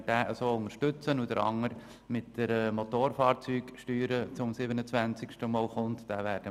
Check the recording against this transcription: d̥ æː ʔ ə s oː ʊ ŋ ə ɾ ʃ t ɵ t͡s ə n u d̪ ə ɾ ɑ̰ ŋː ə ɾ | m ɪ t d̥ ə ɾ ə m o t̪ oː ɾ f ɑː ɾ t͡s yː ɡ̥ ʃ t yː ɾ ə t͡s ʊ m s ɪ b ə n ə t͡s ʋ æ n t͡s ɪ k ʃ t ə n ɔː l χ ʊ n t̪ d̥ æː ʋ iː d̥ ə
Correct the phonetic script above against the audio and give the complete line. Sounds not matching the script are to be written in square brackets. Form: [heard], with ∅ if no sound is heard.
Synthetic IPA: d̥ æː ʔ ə s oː ʊ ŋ ə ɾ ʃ t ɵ t͡s ə n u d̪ ə ɾ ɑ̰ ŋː ə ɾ | m ɪ t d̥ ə ɾ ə m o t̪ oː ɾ f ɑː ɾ t͡s yː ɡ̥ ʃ t yː ɾ ə t͡s ʊ m s ɪ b ə n ə t͡s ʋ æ n t͡s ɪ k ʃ t ə [m] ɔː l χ ʊ n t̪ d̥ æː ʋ [æː] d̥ ə